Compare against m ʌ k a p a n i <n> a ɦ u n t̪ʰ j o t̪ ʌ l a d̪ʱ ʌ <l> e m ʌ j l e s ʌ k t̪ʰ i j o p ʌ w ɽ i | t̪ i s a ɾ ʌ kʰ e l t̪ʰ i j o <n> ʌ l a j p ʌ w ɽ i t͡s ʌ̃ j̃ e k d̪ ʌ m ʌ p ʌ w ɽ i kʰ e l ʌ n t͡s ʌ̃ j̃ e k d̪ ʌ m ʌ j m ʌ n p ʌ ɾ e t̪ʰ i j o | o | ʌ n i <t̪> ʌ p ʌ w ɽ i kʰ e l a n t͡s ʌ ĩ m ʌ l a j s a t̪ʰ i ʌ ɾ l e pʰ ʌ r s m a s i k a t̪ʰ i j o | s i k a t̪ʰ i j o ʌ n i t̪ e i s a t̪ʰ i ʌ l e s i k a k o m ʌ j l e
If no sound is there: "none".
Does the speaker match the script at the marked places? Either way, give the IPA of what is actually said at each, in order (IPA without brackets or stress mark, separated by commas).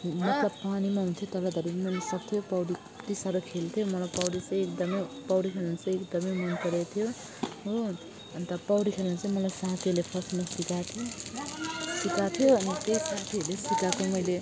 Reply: m, ɾ, m, t̪